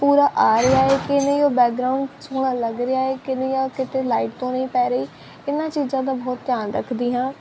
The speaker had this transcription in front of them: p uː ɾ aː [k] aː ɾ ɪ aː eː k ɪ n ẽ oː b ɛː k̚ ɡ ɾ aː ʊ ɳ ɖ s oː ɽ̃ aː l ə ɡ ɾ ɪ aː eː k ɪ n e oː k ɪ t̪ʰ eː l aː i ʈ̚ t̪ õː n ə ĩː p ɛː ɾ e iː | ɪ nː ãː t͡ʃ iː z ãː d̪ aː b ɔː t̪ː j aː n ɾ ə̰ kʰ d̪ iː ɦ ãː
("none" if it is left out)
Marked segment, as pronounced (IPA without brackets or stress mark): ʔ